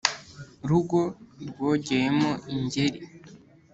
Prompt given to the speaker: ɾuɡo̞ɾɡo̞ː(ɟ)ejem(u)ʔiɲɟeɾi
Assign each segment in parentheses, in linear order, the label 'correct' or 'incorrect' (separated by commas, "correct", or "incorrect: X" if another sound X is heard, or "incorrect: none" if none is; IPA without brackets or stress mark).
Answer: correct, incorrect: o